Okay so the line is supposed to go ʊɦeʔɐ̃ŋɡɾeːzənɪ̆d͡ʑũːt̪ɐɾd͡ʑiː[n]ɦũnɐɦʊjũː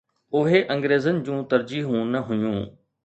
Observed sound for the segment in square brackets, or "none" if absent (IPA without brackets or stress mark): none